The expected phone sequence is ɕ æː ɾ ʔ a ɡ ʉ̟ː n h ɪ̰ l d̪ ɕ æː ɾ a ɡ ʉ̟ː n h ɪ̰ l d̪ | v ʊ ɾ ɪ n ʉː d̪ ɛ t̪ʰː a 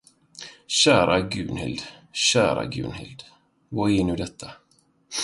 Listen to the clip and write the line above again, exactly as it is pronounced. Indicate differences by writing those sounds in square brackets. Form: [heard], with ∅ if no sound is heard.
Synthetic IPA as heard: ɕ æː ɾ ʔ a ɡ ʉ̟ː n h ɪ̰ l d̪ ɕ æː ɾ a ɡ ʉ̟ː n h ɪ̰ l d̪ | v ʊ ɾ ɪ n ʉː d̪ ɛ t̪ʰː a